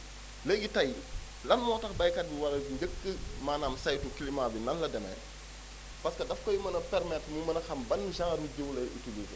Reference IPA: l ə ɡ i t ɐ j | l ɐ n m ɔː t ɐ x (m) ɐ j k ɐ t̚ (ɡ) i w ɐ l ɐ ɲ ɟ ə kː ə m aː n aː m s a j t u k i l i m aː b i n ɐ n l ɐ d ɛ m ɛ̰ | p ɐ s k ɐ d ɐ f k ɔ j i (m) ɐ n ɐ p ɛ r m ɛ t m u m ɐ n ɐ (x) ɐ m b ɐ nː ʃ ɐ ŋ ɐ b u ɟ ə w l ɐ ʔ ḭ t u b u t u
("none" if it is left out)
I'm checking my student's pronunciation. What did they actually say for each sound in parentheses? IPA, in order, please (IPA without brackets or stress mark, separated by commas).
b, b, m, x